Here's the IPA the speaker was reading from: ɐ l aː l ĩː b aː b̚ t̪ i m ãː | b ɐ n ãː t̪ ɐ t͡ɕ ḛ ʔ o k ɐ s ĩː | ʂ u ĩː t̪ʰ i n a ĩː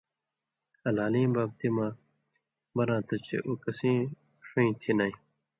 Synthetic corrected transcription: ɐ l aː l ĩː b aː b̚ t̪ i m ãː | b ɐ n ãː t̪ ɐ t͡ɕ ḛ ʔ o k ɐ s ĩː | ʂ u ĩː t̪ʰ i n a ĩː